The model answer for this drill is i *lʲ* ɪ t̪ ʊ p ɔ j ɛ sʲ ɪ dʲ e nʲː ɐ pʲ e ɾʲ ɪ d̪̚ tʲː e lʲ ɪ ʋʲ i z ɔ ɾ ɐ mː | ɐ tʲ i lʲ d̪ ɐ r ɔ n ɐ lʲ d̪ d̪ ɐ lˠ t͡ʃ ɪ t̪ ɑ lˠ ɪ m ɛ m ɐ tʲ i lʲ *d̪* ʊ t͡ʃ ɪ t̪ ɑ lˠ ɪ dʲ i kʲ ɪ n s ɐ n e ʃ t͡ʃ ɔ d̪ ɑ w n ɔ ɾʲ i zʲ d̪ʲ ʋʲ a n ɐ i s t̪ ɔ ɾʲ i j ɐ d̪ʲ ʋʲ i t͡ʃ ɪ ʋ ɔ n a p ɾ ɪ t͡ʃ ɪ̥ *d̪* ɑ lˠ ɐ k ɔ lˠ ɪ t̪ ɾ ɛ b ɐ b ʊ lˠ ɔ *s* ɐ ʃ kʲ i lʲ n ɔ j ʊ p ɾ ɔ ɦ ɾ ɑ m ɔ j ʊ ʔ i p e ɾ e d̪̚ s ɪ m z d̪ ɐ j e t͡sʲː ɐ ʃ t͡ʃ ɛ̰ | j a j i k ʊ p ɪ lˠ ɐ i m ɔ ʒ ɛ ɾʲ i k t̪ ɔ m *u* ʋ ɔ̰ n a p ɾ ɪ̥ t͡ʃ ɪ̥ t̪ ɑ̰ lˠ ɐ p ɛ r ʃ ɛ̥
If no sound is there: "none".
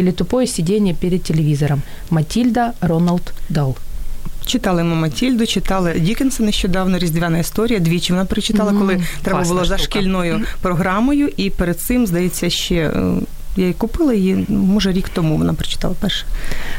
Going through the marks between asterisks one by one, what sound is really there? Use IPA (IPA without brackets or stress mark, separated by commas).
lʲ, d̪, t̪, z, u